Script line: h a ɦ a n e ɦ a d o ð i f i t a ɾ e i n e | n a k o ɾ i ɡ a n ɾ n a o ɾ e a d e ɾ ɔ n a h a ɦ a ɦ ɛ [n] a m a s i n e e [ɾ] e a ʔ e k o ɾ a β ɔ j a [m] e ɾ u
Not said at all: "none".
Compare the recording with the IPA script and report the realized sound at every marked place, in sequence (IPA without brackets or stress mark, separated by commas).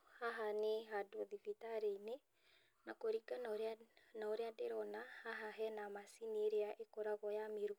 n, ɾ, m